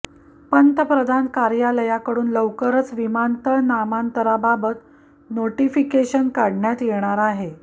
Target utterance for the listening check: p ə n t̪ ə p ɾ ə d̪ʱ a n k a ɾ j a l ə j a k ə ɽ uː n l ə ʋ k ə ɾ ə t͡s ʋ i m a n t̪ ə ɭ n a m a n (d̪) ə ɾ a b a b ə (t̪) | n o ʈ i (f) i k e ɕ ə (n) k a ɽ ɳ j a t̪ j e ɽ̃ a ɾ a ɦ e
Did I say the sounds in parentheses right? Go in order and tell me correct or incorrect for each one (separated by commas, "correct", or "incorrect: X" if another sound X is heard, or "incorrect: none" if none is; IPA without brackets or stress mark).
incorrect: t̪, correct, correct, correct